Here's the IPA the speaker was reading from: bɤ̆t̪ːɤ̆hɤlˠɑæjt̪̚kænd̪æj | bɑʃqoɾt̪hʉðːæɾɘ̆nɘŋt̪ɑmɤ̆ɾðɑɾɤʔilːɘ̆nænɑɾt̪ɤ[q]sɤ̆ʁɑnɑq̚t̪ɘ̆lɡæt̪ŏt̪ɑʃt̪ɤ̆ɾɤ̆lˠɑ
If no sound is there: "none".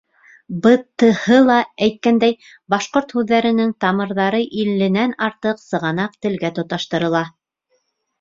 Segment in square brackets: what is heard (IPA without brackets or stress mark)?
q